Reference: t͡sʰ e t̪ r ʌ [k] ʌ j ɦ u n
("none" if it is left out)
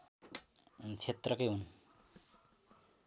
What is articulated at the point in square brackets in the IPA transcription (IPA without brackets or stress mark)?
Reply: k